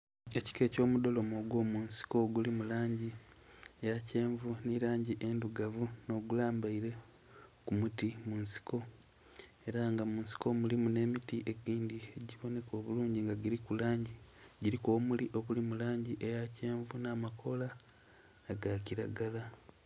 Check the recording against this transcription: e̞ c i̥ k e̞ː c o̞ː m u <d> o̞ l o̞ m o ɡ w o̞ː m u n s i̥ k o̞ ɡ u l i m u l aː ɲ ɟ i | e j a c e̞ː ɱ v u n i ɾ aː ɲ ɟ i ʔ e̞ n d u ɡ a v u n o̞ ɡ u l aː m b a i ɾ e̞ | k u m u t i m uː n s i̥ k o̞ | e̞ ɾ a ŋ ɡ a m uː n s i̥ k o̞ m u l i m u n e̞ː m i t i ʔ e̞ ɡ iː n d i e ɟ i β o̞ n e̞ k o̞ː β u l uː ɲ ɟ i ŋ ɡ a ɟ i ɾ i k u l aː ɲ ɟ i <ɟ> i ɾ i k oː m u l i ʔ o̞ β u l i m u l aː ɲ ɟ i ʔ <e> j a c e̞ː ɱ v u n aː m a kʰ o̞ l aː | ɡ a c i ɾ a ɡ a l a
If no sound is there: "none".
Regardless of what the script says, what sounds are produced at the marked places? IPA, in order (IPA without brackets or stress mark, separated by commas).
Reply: d, ɟ, e